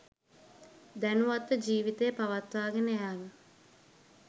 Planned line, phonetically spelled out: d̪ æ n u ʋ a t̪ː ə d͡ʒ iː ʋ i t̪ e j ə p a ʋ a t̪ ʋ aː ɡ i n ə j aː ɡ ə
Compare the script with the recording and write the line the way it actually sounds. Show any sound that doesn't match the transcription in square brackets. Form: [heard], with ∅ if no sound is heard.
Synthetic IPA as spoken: d̪ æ n u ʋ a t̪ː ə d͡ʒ iː ʋ i t̪ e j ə p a ʋ a t̪ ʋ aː ɡ [e] n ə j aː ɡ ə